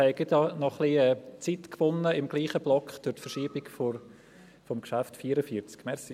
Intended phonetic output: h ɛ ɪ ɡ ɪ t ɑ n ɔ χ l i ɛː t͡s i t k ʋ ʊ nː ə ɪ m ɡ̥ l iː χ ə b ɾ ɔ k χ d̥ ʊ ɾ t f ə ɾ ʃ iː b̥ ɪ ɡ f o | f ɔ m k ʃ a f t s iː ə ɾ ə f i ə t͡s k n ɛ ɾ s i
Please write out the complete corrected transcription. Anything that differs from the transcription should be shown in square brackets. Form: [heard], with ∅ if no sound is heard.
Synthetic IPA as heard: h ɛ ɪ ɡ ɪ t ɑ n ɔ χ l i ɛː t͡s i t k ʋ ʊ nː ə ɪ m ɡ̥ l iː χ ə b [l] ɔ k χ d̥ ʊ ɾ t f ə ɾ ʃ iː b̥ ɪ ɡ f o | f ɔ m k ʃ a f t [f] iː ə ɾ ə f i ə t͡s k [m] ɛ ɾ s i